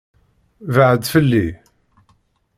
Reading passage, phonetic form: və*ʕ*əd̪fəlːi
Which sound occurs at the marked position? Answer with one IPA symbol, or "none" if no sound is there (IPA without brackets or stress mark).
ʕ